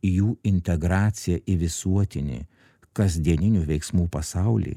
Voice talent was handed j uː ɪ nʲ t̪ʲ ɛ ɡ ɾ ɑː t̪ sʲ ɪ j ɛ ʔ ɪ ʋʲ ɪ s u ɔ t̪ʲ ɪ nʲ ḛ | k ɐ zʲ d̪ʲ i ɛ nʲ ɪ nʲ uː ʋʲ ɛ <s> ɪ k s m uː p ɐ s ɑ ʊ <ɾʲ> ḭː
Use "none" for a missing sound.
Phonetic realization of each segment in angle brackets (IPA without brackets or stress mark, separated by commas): none, lʲ